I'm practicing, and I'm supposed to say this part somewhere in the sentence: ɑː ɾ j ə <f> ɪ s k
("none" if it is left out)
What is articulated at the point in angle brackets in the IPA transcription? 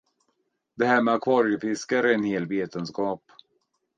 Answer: f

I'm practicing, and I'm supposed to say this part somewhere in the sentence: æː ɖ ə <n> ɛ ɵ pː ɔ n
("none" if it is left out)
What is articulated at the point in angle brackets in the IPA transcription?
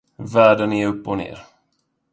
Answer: n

